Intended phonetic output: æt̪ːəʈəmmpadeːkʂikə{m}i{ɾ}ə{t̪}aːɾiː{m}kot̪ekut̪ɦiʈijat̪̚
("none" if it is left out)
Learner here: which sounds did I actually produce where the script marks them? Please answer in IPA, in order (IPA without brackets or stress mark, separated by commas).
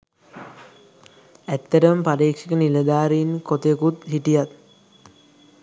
n, l, d̪, n